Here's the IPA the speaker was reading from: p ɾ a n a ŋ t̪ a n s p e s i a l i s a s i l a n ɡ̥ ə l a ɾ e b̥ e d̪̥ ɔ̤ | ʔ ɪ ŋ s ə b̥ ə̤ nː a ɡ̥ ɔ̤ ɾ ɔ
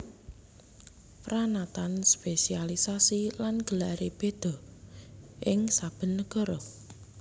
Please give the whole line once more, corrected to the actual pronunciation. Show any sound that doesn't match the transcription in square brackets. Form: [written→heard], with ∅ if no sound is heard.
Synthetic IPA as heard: p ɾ a n a [ŋ→∅] t̪ a n s p e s i a l i s a s i l a n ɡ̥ ə l a ɾ e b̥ e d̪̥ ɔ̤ | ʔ ɪ ŋ s [ə→a] b̥ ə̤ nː [a→ə] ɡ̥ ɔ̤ ɾ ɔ